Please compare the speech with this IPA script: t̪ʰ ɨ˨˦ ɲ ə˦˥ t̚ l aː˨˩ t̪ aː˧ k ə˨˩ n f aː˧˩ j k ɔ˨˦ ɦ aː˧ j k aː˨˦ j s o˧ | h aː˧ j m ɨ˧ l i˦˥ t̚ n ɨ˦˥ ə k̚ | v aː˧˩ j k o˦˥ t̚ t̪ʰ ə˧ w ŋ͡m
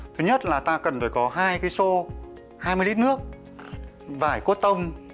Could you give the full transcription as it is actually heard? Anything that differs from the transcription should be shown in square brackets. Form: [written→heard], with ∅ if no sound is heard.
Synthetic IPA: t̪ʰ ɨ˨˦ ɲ ə˦˥ t̚ l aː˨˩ t̪ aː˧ k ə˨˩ n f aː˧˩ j k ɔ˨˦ ɦ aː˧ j k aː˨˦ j s o˧ | h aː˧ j m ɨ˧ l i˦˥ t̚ n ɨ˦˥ ə k̚ | v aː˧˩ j k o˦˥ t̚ [t̪ʰ→t̪] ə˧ w ŋ͡m